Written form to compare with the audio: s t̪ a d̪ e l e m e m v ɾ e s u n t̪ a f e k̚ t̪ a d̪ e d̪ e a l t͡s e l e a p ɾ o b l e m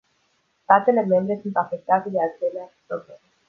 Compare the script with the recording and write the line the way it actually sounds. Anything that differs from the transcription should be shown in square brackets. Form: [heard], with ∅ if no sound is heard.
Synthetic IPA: s t̪ a [t̪] e l e m e m [b] ɾ e s u n t̪ a f e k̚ t̪ a [t̪] e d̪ e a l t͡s e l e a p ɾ o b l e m